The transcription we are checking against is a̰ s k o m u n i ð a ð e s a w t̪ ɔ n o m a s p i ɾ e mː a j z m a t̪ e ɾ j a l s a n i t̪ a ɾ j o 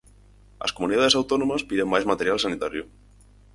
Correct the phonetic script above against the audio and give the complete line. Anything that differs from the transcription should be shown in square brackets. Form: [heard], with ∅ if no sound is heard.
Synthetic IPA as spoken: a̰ s k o m u n i ð a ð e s a w t̪ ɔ n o m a s p i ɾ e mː a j z m a t̪ e ɾ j a l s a n i t̪ a ɾ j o